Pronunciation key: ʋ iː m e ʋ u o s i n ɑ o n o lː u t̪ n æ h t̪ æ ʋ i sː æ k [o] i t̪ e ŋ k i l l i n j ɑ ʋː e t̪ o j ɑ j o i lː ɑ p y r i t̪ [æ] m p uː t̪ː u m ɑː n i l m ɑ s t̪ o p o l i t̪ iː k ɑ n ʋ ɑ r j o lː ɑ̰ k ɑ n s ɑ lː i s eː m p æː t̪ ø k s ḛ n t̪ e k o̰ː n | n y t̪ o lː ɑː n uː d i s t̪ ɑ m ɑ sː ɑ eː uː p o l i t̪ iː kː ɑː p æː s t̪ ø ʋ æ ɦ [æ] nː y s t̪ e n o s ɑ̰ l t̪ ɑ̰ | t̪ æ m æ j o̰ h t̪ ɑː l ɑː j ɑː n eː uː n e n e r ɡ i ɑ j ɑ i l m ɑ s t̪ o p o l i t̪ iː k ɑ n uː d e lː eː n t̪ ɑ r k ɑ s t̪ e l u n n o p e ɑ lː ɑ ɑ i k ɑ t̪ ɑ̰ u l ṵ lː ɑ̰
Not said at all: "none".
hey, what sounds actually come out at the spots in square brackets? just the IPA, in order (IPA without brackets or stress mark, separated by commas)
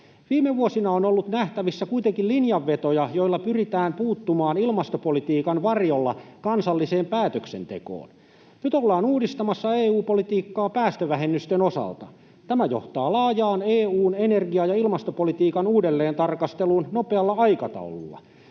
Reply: u, æː, e